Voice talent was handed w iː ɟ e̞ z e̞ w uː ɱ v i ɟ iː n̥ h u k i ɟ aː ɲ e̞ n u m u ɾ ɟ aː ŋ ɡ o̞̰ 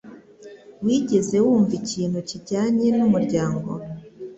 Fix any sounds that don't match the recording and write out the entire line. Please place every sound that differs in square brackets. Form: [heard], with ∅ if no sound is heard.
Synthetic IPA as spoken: w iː ɟ e̞ z e̞ w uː ɱ v i [c] iː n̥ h u [c] i ɟ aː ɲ e̞ n u m u ɾ ɟ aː ŋ ɡ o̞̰

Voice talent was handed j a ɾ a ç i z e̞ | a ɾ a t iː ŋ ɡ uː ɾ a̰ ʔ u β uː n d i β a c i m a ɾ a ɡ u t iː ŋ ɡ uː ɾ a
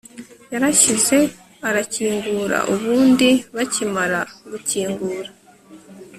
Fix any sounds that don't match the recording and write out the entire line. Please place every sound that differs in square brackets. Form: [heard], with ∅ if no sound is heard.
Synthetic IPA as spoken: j a ɾ a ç i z e̞ | a ɾ a [c] iː ŋ ɡ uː ɾ a̰ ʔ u β uː n d i β a c i m a ɾ a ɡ u [c] iː ŋ ɡ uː ɾ a

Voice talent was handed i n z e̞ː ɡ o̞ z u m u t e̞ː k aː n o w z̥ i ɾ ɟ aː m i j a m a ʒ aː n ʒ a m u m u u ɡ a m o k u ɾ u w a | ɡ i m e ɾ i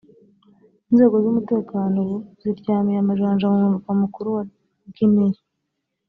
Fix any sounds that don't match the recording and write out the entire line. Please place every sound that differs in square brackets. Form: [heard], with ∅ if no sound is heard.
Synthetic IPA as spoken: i n z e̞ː ɡ o̞ z u m u t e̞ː k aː n o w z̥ i ɾ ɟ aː m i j a m a ʒ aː n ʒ a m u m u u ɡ a m [u] k u ɾ u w a | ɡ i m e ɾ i

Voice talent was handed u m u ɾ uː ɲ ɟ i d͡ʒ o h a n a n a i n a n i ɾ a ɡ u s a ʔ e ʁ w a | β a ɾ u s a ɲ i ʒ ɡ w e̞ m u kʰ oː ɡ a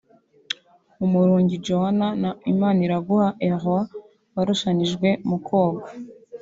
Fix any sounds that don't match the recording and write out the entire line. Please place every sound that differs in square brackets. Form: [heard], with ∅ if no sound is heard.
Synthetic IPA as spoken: u m u ɾ uː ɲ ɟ i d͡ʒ o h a n a n a i [m] a n i ɾ a ɡ u [h] a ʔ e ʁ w a | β a ɾ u [ʃ] a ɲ i ʒ ɡ w e̞ m u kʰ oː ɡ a

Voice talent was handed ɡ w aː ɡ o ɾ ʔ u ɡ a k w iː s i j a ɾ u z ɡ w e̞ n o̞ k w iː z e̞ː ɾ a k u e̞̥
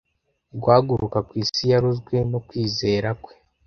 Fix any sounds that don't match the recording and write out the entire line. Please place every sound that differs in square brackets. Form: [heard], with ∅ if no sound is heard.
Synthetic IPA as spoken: ɡ w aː ɡ [u] ɾ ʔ u [k] a k w iː s i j a ɾ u z ɡ w e̞ n o̞ k w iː z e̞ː ɾ a k [w] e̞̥

